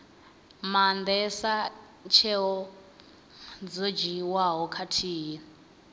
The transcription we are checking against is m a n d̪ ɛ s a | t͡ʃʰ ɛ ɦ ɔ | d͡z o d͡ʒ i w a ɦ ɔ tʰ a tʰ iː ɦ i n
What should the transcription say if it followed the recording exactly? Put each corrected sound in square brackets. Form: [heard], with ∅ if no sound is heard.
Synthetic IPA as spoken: m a n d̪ ɛ s a | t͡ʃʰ ɛ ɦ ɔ | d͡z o d͡ʒ i w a ɦ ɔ [kʰ] a tʰ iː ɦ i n